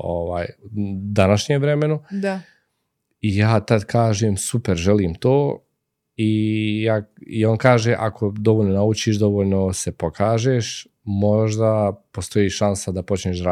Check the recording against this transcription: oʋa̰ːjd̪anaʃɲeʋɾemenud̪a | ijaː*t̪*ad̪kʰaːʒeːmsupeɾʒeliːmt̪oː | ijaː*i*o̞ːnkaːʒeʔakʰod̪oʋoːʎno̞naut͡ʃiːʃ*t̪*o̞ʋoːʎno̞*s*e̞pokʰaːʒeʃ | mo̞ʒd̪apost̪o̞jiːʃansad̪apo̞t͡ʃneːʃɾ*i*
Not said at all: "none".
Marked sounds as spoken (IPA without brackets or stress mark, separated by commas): t̪, i, d̪, s, a